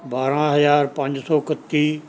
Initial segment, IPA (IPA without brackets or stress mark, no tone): b